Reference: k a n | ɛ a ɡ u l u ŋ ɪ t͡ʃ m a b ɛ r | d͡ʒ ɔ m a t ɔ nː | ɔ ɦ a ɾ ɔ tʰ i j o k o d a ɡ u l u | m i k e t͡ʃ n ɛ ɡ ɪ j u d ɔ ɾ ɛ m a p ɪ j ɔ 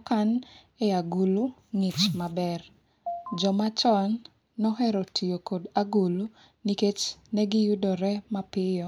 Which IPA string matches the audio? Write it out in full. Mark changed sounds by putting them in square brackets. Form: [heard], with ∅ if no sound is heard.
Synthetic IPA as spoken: k a n | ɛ a ɡ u l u ŋ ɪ t͡ʃ m a b ɛ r | d͡ʒ ɔ m a [t͡ʃ] ɔ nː | ɔ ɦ [ɛ] ɾ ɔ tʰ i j o k o d a ɡ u l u | [n] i k e t͡ʃ n ɛ ɡ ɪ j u d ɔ ɾ ɛ m a p ɪ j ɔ